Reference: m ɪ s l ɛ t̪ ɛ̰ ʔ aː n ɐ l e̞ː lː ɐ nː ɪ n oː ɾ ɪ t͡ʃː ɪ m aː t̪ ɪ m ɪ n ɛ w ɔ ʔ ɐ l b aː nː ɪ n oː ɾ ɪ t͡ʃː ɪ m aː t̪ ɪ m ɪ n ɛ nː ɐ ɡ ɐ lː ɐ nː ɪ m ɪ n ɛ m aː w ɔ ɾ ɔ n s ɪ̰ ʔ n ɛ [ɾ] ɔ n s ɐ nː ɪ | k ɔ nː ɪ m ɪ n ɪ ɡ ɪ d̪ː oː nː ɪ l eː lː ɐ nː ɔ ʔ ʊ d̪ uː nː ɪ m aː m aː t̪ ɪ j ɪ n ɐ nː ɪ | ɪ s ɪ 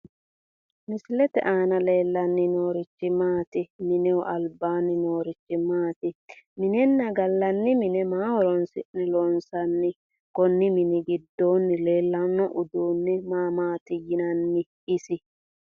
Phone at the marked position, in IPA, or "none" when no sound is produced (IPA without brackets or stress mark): l